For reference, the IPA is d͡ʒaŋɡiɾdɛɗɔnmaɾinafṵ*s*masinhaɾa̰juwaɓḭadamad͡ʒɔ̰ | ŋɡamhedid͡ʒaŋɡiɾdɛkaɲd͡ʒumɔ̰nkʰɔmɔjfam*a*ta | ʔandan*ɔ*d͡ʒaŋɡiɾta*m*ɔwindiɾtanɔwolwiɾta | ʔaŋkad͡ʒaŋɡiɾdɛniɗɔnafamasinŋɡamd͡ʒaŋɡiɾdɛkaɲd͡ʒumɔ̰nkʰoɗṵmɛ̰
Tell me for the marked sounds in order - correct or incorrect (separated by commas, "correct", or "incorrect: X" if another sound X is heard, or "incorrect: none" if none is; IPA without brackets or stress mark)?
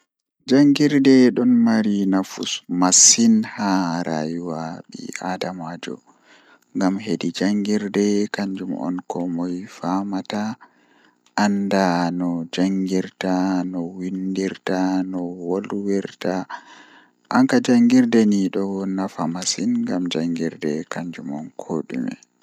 correct, correct, correct, incorrect: n